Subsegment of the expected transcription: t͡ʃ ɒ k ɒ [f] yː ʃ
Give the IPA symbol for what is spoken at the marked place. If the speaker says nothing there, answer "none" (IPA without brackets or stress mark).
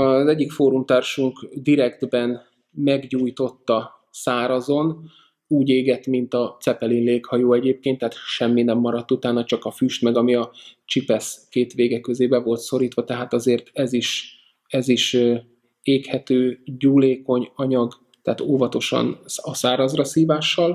f